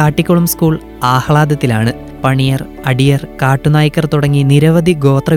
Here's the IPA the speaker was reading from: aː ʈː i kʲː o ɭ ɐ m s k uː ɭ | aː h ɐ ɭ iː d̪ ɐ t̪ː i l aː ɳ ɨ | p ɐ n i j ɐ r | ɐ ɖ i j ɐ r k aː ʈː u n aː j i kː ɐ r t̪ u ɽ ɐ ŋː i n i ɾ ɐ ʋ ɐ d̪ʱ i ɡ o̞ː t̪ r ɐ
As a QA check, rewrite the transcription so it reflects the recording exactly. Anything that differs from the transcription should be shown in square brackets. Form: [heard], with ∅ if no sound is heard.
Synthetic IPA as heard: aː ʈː i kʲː o ɭ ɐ m s k uː ɭ | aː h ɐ ɭ [aː] d̪ ɐ t̪ː i l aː ɳ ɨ | p ɐ [ɳ] i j ɐ r | ɐ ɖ i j ɐ r k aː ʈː u n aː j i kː ɐ r t̪ u ɽ ɐ ŋː i n i ɾ ɐ ʋ ɐ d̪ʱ i ɡ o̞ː t̪ r ɐ